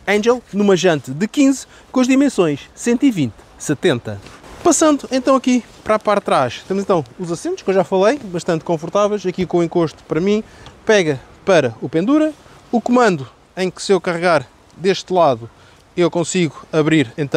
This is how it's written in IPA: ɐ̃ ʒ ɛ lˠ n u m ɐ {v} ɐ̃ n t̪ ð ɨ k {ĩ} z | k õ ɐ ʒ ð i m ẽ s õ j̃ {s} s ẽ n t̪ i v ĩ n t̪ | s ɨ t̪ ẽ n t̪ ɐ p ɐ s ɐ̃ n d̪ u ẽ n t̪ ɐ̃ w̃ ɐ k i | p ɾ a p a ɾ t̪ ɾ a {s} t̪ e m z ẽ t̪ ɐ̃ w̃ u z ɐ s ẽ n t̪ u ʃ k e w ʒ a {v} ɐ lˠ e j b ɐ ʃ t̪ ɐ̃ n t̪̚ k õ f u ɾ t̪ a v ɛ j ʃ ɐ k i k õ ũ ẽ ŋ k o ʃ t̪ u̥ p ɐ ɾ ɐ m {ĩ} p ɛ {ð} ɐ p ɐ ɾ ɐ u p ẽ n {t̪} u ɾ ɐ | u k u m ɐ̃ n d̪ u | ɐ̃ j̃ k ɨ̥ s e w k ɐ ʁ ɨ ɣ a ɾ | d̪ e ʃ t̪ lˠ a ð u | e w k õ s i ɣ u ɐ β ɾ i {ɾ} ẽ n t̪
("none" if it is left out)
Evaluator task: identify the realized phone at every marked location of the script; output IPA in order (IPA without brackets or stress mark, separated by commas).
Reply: ʒ, ĩ, ʃ, ʃ, f, ĩ, ɣ, d̪, ɾ